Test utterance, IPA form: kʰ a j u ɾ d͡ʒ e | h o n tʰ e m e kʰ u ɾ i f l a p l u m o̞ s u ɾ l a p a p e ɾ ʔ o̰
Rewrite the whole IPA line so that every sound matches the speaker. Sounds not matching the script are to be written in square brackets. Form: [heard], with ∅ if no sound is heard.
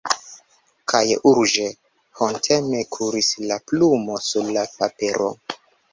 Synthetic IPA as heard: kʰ a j u ɾ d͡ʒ e | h o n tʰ e m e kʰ u ɾ i [s] l a p l u m o̞ s u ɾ l a p a p e ɾ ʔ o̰